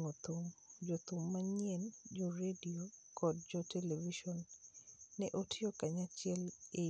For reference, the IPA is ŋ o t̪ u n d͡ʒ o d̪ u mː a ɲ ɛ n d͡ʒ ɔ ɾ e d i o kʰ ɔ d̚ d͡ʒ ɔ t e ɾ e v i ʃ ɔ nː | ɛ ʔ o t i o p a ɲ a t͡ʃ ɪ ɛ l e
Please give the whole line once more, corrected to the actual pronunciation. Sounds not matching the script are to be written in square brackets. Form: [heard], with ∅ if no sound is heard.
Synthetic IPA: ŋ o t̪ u [m] d͡ʒ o [t̪] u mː a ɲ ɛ n d͡ʒ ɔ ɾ e d i o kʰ ɔ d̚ d͡ʒ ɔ t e [l] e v i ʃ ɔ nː | ɛ ʔ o t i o [k] a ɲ a t͡ʃ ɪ ɛ l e